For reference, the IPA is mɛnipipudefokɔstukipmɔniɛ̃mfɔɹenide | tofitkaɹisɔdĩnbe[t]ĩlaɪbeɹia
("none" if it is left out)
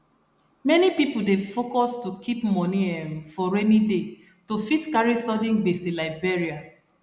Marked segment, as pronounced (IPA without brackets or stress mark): s